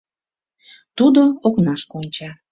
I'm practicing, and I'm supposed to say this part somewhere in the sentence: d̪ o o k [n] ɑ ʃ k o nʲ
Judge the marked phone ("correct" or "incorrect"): correct